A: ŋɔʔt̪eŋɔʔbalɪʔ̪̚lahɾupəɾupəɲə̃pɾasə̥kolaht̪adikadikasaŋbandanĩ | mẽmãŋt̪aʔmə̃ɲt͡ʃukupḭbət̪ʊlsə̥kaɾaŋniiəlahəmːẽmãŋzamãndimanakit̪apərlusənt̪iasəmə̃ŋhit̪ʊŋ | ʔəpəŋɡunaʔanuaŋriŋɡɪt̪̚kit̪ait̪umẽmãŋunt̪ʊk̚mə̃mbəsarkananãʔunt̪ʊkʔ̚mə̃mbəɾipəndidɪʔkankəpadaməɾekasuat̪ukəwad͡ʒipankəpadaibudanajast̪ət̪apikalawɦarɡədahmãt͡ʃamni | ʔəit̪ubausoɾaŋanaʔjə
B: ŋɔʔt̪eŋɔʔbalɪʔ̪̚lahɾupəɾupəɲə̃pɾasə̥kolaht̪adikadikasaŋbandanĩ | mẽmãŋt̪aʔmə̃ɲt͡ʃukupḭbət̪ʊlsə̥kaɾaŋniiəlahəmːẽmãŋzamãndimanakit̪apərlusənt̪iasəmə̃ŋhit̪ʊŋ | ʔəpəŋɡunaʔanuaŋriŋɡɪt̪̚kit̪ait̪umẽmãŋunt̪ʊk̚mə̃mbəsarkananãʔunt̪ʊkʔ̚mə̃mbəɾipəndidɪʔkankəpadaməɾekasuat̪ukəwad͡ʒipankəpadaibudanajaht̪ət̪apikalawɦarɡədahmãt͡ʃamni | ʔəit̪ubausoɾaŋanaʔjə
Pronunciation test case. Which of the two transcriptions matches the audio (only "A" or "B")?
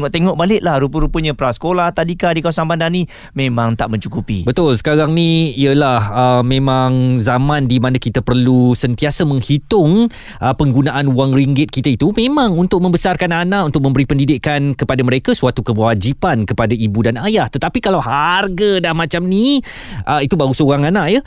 B